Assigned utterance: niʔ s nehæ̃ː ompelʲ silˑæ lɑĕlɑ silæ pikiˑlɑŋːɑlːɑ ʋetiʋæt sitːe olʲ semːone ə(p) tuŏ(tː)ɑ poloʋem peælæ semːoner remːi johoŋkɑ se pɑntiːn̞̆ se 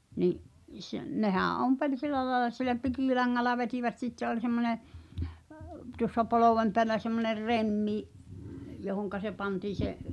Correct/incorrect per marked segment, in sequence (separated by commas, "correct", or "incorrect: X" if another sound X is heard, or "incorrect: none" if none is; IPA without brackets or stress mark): correct, incorrect: sː